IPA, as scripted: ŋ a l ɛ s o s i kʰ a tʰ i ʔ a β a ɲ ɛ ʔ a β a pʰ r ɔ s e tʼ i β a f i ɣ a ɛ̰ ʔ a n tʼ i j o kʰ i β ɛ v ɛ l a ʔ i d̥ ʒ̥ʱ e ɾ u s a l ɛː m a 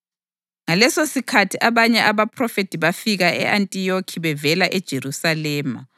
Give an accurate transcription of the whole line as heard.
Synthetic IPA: ŋ a l ɛ s o s i kʰ a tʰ i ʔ a β a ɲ ɛ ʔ a β a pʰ r ɔ f e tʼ i β a f i ɣ a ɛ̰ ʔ a n tʼ i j o kʰ i β ɛ v ɛ l a ʔ ɛ d̥ ʒ̥ʱ e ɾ u s a l ɛː m a